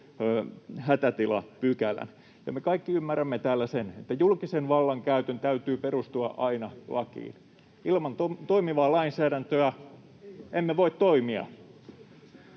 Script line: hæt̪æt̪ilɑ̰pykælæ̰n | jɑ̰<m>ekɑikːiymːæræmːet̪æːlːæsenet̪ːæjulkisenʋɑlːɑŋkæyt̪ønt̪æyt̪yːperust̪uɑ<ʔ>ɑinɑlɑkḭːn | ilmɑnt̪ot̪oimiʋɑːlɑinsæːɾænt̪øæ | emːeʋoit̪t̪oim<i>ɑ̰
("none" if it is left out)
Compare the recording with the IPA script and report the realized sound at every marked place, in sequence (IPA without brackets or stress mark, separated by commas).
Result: m, ʔ, i